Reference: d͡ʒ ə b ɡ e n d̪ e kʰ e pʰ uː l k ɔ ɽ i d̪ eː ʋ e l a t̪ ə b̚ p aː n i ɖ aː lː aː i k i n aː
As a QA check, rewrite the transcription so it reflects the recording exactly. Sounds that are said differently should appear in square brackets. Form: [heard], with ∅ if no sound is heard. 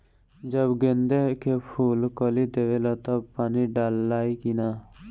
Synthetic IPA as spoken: d͡ʒ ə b ɡ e n d̪ e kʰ e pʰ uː l k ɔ [l] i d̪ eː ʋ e l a t̪ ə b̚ p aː n i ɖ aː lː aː i k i n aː